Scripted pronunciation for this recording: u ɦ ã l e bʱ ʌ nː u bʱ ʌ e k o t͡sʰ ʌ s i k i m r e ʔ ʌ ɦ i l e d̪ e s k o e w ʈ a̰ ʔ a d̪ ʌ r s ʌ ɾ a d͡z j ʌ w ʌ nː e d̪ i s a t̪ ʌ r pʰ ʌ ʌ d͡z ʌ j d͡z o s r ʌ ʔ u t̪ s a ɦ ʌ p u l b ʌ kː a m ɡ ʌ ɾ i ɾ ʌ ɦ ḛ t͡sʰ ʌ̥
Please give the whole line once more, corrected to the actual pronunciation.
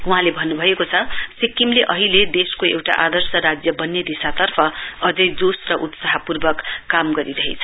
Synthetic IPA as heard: u ɦ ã l e bʱ ʌ nː u bʱ ʌ e k o t͡sʰ ʌ s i k i m l e ʔ ʌ ɦ i l e d̪ e s k o e w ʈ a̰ ʔ a d̪ ʌ r s ʌ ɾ a d͡z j ʌ b ʌ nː e d̪ i s a t̪ ʌ r pʰ ʌ ʌ d͡z ʌ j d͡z o s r ʌ ʔ u t̪ s a ɦ ʌ p u r b ʌ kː a m ɡ ʌ ɾ i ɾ ʌ ɦ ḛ t͡sʰ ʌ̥